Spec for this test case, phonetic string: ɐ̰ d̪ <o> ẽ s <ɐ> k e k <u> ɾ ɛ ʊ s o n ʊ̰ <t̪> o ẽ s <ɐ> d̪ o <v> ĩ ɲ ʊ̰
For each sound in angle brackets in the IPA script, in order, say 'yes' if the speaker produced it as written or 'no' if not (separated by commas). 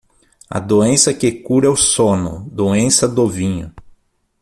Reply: yes, yes, yes, no, yes, yes